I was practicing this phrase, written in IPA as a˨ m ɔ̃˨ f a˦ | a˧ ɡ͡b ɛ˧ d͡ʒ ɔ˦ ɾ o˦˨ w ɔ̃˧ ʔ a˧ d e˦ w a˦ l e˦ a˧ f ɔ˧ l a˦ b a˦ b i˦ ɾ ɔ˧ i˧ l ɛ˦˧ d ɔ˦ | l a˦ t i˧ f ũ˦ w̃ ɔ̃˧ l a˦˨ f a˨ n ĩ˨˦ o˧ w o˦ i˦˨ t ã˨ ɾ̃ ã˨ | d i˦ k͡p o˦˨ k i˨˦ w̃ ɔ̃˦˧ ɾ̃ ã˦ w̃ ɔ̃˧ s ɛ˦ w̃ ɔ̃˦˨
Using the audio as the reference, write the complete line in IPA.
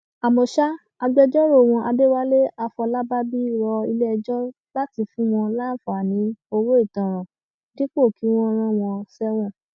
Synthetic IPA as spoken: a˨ m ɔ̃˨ ʃ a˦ | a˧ ɡ͡b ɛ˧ d͡ʒ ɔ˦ ɾ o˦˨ w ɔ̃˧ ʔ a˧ d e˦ w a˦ l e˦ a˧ f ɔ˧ l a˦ b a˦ b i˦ ɾ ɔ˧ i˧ l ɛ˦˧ d͡ʒ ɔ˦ | l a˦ t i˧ f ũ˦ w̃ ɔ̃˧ l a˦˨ f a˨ n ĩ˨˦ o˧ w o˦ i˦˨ t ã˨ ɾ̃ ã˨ | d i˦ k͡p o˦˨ k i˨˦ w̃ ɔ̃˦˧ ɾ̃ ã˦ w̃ ɔ̃˧ s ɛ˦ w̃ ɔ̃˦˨